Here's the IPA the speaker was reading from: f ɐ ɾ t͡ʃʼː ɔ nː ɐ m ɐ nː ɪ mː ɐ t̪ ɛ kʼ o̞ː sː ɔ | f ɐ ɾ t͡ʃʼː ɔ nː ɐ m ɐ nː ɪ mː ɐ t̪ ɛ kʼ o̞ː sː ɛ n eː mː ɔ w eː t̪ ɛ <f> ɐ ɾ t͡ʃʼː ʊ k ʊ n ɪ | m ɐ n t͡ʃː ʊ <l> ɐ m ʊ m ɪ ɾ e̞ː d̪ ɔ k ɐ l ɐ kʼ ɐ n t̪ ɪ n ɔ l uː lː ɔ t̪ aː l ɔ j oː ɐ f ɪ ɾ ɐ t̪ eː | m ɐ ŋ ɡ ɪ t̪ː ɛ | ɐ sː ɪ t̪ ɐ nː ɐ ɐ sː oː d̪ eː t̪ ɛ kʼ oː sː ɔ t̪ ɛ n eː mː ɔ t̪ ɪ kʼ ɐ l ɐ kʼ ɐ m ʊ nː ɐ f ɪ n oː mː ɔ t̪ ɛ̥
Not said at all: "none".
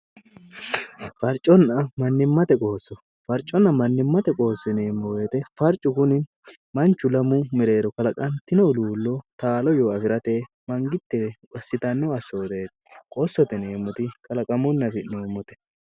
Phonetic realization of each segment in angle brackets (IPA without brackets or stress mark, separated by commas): f, l